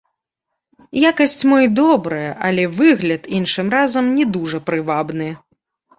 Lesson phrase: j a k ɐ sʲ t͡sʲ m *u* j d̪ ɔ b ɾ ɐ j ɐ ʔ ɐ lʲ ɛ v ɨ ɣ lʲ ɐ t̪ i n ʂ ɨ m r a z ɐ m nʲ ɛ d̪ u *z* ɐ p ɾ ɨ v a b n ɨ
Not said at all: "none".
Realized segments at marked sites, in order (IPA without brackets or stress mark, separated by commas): ɔ, ʐ